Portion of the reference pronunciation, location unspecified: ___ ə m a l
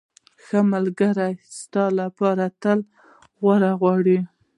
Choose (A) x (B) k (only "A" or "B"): A